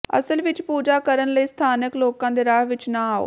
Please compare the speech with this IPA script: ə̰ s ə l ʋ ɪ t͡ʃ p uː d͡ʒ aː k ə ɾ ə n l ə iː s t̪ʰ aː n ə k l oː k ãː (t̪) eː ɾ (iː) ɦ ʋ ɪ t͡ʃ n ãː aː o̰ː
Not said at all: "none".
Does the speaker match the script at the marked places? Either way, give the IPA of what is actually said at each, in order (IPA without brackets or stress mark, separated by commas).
d̪, aː